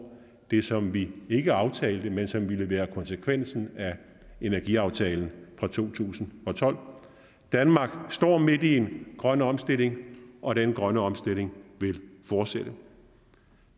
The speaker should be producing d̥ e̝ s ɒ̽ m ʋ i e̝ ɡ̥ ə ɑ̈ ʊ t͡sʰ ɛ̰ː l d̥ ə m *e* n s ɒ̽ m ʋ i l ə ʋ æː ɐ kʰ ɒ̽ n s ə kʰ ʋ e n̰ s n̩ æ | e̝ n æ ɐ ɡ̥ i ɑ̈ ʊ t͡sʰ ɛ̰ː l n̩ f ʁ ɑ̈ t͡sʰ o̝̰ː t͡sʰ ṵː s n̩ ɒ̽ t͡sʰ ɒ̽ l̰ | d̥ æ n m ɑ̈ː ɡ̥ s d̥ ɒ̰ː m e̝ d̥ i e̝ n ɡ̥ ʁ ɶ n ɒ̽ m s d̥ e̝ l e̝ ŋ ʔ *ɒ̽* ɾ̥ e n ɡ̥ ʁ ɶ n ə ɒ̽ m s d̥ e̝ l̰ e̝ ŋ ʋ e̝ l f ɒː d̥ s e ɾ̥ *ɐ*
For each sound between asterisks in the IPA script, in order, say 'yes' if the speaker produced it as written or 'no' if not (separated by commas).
yes, yes, no